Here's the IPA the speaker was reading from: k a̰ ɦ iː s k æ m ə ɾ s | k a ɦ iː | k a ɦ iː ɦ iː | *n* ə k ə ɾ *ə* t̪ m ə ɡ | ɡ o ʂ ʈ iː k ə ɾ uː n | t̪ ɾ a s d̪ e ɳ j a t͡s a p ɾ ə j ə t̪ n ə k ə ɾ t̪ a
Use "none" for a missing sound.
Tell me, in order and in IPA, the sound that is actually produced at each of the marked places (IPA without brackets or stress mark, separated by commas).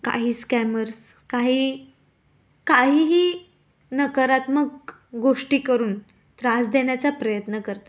n, a